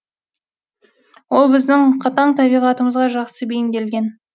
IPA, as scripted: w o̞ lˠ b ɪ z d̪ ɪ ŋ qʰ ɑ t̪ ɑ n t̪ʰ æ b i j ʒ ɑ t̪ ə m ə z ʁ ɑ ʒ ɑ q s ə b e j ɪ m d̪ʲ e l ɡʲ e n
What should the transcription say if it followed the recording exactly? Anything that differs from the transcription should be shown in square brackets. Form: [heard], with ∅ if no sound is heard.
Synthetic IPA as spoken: w o̞ lˠ b ɪ z d̪ ɪ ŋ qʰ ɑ t̪ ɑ [ɴ] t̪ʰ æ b i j [ʁ] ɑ t̪ ə m ə z ʁ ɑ ʒ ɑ q s ə b e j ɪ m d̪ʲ e l ɡʲ e n

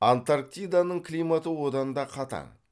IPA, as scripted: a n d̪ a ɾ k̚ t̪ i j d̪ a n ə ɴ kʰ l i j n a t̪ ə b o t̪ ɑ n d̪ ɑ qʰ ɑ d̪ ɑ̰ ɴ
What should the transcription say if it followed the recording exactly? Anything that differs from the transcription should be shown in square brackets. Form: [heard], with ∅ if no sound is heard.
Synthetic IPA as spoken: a n [t̪] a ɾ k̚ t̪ i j d̪ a n ə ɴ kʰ l i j [m] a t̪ ə [w] o [d̪] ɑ n d̪ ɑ qʰ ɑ [t̪] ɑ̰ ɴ

